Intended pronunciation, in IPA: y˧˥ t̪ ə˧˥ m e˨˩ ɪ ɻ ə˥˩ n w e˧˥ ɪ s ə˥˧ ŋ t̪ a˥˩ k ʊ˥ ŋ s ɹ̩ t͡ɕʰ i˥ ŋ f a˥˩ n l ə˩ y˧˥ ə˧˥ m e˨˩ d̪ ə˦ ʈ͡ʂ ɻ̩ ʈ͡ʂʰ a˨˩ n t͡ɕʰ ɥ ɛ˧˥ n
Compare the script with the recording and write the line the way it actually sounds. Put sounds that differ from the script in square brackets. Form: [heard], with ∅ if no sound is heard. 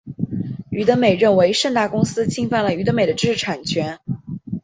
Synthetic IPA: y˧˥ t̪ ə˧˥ m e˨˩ ɪ ɻ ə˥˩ n w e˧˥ ɪ [ʂ] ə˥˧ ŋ t̪ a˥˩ k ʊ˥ ŋ s ɹ̩ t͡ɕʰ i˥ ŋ f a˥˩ n l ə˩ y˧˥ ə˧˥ m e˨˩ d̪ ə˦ ʈ͡ʂ ɻ̩ ʈ͡ʂʰ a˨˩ n t͡ɕʰ ɥ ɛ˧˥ n